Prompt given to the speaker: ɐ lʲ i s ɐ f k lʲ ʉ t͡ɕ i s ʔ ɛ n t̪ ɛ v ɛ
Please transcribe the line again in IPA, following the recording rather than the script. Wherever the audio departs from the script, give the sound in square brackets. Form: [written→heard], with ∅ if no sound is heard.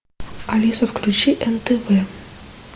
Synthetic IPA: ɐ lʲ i s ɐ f k lʲ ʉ t͡ɕ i [s→∅] ʔ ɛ n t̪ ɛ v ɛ